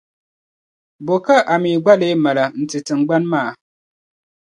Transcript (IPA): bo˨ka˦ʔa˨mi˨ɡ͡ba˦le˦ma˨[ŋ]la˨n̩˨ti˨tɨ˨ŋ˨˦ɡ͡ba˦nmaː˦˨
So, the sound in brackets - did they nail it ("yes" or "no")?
no